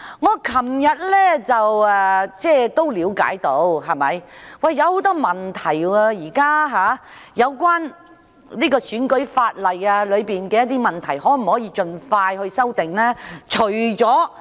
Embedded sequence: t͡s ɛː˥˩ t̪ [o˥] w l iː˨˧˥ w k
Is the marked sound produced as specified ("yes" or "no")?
yes